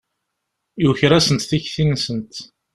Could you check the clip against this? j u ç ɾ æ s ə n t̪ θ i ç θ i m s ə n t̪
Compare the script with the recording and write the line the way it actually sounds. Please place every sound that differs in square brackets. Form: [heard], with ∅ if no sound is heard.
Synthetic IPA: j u ç ɾ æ s ə n t̪ θ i ç θ i [n] s ə n t̪